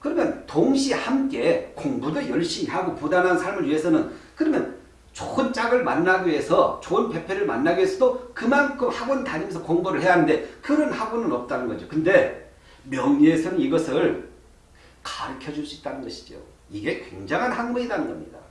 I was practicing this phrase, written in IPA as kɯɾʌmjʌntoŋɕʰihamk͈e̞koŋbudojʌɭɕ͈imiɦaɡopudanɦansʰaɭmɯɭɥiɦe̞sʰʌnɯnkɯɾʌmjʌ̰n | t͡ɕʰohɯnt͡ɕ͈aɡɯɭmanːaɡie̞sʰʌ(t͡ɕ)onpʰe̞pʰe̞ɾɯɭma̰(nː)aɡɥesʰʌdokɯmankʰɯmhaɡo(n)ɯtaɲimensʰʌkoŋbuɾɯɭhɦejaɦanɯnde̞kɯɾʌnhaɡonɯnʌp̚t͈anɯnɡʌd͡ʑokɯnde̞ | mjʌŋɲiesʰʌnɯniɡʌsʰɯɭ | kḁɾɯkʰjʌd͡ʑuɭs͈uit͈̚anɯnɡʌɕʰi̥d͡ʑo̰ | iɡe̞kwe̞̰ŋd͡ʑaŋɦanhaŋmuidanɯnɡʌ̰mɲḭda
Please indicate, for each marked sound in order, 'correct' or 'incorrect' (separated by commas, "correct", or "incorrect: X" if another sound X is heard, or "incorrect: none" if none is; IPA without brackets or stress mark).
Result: correct, correct, correct